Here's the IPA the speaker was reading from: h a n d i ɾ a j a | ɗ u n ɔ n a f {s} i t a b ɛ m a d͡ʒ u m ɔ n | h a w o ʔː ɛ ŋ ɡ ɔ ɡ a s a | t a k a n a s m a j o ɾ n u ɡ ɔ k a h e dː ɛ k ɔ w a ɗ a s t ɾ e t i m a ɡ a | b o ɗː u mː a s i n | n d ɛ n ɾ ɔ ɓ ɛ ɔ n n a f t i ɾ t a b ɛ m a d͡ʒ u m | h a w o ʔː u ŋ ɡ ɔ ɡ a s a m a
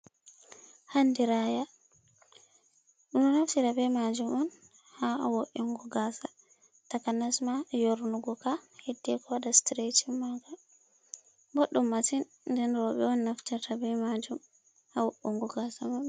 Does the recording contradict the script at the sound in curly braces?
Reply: yes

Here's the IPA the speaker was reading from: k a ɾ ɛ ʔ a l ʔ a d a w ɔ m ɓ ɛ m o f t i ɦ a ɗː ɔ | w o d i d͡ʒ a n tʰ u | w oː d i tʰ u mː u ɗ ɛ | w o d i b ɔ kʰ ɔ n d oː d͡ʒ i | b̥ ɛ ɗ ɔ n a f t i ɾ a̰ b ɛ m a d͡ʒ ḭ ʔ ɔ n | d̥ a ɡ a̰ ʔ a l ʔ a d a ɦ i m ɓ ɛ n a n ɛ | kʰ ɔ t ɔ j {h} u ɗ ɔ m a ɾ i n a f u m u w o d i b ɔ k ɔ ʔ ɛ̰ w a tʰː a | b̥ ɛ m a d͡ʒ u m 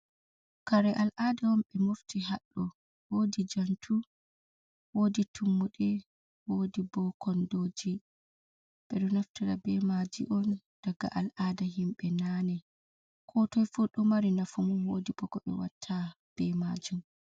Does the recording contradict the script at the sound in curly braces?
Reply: yes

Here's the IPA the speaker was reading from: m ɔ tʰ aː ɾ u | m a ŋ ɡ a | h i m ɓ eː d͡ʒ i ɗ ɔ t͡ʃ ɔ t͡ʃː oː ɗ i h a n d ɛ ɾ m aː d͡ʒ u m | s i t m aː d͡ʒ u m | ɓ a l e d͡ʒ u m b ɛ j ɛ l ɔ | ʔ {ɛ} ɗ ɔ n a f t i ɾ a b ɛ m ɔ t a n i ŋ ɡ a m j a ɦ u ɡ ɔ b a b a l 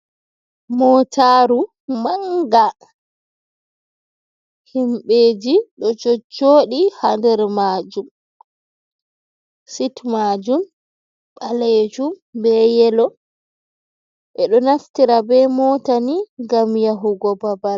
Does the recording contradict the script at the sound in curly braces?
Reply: no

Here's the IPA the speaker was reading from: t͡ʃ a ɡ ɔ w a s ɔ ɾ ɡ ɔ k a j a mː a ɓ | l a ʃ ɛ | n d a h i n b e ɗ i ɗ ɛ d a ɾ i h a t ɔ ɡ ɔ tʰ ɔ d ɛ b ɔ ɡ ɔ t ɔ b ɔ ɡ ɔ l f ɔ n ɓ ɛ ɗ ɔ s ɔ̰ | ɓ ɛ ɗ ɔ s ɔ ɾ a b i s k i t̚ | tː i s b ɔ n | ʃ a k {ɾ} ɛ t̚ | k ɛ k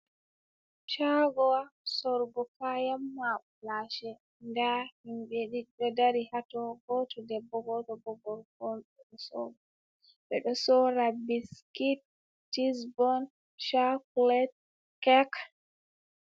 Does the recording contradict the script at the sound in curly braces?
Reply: yes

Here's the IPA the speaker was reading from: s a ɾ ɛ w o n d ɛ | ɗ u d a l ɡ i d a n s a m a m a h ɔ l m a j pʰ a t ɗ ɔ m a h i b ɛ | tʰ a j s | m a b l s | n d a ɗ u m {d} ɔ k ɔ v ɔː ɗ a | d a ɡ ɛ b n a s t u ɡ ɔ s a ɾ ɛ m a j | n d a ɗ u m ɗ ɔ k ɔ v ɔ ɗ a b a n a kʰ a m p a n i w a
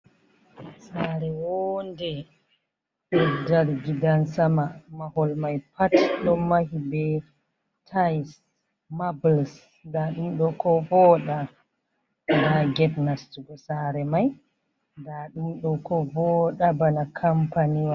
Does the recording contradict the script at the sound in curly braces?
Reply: yes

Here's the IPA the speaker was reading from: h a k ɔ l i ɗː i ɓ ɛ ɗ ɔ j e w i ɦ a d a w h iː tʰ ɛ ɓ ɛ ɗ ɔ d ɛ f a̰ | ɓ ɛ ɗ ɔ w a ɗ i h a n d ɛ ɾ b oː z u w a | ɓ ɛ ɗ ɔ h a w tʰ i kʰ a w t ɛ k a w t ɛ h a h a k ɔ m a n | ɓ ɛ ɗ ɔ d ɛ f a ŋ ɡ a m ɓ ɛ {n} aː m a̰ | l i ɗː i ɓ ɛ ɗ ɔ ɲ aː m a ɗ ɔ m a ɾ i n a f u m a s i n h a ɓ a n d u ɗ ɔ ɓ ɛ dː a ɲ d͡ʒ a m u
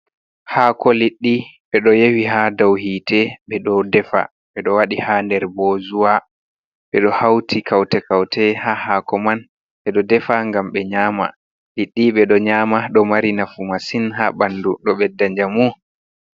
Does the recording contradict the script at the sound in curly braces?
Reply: yes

